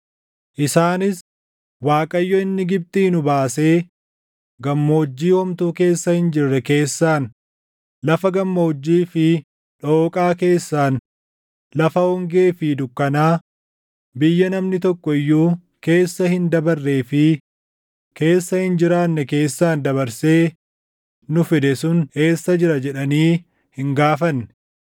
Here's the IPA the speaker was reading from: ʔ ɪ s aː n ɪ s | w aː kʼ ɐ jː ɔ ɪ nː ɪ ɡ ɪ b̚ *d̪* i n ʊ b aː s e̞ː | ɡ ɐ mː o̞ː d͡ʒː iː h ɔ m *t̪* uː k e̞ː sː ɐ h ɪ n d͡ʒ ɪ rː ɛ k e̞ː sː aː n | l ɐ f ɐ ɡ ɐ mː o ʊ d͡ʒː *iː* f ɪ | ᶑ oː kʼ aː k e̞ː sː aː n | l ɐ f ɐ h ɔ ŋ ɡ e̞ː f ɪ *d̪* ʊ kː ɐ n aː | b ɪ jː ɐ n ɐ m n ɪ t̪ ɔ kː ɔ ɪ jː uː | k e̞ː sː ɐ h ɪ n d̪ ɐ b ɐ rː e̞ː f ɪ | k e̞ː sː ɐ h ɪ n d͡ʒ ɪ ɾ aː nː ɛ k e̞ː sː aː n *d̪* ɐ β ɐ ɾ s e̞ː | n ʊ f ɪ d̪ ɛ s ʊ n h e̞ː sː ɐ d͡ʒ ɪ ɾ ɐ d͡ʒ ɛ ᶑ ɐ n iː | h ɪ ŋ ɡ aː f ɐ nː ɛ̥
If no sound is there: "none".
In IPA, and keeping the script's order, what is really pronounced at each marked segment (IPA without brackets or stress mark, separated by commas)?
t̪, t̪, iː, d̪, d̪